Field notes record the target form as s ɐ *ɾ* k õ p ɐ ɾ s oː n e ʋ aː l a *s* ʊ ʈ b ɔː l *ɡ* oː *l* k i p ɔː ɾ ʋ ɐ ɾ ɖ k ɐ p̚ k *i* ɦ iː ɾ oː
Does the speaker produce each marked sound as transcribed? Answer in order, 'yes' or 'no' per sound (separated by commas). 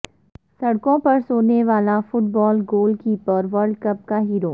no, no, yes, yes, no